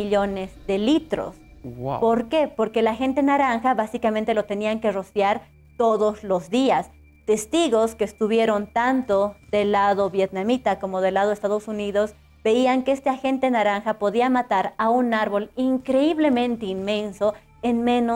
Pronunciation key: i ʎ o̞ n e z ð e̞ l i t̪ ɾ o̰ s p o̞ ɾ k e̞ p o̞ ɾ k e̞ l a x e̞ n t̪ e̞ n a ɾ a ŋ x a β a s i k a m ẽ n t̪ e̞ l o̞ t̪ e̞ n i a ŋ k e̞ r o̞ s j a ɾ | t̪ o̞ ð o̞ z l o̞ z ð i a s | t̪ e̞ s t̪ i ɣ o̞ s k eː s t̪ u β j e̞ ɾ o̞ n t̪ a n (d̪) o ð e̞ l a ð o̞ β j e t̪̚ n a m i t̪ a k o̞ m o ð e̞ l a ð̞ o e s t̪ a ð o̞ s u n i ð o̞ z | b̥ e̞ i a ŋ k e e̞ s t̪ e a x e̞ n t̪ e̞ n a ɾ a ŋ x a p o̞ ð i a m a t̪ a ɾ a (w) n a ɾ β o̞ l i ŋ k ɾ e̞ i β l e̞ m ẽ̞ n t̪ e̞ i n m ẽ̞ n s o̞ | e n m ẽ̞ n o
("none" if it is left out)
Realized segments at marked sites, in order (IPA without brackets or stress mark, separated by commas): t̪, u